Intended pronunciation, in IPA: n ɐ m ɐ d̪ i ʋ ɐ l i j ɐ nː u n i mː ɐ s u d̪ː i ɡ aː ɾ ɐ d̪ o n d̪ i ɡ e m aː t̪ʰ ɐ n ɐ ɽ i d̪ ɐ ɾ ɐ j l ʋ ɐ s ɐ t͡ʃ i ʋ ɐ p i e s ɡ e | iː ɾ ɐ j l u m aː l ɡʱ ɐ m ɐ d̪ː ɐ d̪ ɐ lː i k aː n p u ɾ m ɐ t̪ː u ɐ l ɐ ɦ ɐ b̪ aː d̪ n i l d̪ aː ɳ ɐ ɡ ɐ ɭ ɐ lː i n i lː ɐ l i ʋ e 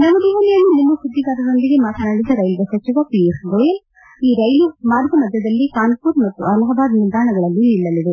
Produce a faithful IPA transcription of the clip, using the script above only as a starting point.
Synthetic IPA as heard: n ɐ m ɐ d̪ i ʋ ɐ l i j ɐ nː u n i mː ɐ s u d̪ː i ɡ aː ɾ ɐ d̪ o n d̪ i ɡ e m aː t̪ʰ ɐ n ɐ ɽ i d̪ ɐ ɾ ɐ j l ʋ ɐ s ɐ t͡ʃ i ʋ ɐ p i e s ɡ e | iː ɾ ɐ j l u m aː ɾ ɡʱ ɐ m ɐ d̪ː ɐ d̪ ɐ lː i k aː n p u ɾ m ɐ t̪ː u ɐ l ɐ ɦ ɐ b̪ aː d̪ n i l d̪ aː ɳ ɐ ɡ ɐ ɭ ɐ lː i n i lː ɐ l i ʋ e